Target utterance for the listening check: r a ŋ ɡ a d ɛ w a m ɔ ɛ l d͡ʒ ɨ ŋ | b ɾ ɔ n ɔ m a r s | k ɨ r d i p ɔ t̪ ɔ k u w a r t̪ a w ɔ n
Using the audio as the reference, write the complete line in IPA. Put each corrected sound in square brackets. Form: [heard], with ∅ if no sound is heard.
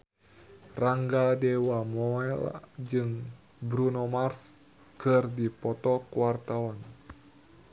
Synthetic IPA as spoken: r a ŋ ɡ a d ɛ w a m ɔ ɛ l d͡ʒ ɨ ŋ | b ɾ [u] n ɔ m a r s | k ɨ r d i p ɔ t̪ ɔ k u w a r t̪ a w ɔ n